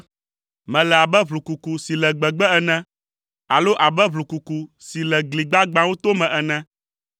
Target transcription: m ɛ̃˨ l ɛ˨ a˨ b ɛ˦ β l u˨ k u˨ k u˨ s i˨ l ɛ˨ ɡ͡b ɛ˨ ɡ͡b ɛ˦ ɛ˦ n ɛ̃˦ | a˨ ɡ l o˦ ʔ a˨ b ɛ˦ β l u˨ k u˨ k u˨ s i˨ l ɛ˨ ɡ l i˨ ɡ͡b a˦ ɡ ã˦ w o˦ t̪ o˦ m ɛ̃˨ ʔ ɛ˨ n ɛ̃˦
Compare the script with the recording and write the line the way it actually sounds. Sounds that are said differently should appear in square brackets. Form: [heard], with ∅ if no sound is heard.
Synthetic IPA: m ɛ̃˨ l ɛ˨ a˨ b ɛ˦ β l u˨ k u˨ k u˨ s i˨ l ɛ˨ ɡ͡b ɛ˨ ɡ͡b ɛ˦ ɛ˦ n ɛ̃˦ | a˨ [∅] l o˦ ʔ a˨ b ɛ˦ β l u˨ k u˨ k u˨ s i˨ l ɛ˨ ɡ l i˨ ɡ͡b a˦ [ɡ͡b] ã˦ w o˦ t̪ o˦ m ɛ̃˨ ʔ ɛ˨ n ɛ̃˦